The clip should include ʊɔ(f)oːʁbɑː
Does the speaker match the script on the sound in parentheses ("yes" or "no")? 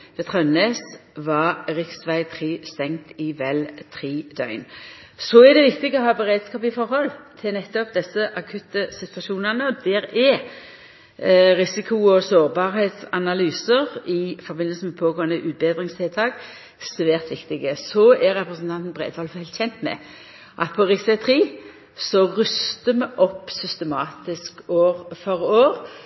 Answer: no